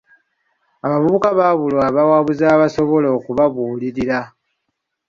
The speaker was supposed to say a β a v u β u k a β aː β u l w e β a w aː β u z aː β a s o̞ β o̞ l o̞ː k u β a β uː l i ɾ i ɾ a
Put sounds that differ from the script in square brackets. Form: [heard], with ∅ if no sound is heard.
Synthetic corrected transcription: a β a v u β u k a β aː β u l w [a] β a w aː β u z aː β a s o̞ β o̞ l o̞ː k u β a β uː l i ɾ i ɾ a